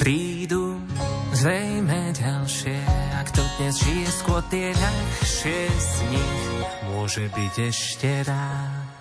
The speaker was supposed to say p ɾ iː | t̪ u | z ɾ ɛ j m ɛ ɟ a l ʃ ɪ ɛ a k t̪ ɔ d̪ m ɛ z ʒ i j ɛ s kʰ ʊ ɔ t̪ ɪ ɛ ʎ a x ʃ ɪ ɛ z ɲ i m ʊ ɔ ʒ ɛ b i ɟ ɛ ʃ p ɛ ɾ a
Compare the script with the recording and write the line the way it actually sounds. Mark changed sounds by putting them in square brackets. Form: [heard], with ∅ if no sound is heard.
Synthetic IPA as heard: p ɾ iː | [d̪] u | z ɾ ɛ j m ɛ ɟ a l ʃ ɪ ɛ a k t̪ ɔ d̪ [ɲ] ɛ z ʒ i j ɛ s [k] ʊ ɔ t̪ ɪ ɛ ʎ a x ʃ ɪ ɛ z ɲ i m ʊ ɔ ʒ ɛ b i ɟ ɛ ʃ [c] ɛ ɾ a